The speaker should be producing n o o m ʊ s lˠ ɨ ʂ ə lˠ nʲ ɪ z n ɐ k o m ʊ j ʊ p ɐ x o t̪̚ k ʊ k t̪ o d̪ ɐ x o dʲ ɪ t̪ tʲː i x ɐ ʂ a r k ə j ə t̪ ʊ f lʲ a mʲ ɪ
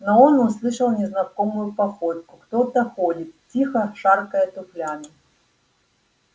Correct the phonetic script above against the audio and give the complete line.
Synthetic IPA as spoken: n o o n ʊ s lˠ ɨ ʂ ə lˠ nʲ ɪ z n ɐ k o m ʊ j ʊ p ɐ x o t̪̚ k ʊ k t̪ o t̪ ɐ x o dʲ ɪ t̪ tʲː i x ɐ ʂ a r k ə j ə t̪ ʊ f lʲ a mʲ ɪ